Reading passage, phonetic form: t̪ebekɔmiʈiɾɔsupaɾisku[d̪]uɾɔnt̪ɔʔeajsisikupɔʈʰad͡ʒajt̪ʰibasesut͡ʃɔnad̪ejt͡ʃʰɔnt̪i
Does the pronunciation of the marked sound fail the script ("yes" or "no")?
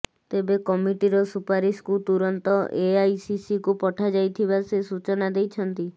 yes